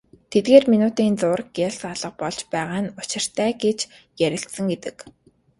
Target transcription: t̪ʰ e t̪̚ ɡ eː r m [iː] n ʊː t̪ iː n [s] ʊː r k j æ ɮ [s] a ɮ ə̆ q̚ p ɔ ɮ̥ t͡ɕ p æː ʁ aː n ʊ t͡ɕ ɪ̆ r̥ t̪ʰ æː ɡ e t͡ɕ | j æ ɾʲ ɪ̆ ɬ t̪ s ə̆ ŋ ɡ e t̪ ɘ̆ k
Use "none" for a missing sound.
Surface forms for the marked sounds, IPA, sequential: i, t͡s, s

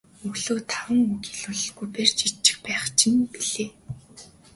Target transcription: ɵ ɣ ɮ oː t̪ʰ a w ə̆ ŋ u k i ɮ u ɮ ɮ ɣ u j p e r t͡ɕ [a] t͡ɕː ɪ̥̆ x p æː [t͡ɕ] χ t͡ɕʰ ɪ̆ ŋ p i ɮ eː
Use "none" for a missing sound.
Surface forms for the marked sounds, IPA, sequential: i, none

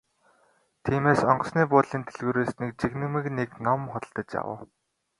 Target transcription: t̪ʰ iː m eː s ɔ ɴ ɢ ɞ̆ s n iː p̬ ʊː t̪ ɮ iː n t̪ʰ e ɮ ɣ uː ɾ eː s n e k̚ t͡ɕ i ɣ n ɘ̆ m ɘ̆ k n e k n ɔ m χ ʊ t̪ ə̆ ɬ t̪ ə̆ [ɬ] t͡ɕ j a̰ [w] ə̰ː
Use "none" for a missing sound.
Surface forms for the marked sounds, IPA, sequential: none, w

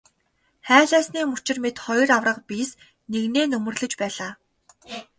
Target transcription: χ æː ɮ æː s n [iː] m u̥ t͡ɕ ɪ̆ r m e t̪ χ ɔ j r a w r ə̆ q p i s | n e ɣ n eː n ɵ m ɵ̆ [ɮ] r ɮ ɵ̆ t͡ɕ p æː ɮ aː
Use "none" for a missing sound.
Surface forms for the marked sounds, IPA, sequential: iː, none

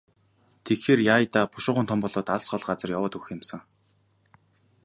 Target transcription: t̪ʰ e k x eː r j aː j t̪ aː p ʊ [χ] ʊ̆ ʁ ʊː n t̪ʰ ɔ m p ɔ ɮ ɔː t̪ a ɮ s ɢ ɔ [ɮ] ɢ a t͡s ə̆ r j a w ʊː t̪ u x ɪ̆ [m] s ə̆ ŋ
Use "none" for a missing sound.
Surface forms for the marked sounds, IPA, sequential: ʃ, ɮ, m

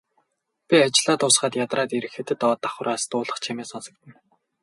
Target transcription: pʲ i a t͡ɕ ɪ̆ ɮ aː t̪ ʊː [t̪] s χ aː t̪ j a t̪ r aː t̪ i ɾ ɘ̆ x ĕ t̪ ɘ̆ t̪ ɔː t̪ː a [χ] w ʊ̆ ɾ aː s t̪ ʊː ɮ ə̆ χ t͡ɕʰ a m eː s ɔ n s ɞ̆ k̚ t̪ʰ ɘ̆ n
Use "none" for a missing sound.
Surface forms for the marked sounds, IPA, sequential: none, χ

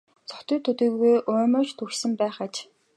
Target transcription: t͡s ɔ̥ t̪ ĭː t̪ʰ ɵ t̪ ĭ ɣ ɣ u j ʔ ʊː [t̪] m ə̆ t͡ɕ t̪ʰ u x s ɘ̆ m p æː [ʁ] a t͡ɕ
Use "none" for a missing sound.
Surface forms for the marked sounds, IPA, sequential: none, χ

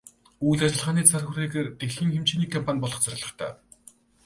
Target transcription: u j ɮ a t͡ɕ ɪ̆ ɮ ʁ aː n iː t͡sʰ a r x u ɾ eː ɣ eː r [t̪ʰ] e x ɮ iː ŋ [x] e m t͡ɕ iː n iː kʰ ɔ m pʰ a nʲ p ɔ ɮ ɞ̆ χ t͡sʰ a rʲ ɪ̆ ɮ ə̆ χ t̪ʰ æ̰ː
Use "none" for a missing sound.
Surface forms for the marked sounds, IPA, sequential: t̪, x

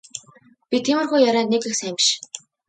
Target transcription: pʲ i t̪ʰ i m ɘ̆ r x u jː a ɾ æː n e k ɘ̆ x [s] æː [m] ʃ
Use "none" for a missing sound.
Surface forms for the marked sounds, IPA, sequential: s, m

